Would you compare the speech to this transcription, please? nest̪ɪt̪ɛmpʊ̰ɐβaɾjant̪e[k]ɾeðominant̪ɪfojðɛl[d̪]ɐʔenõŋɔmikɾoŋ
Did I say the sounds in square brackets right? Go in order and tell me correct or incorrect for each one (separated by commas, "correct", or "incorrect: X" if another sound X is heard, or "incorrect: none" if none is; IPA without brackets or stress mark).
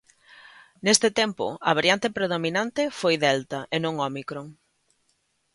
incorrect: p, incorrect: t̪